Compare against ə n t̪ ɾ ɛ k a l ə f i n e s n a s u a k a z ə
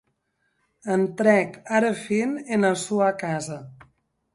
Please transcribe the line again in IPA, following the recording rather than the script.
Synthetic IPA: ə n t̪ ɾ ɛ k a ɾ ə f i n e n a s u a k a z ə

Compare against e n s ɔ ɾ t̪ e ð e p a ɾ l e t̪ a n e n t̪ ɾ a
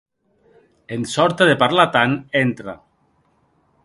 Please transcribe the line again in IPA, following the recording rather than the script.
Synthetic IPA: e n s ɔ ɾ t̪ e ð e p a ɾ l a t̪ a n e n t̪ ɾ a

